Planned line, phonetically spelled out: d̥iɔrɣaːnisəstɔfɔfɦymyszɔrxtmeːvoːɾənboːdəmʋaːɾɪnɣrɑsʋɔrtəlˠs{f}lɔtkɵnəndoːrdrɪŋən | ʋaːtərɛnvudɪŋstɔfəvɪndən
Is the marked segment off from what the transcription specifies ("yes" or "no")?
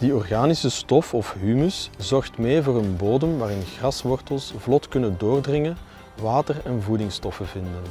yes